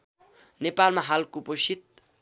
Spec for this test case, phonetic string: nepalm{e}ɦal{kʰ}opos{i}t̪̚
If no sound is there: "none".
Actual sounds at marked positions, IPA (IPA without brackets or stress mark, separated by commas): a, k, i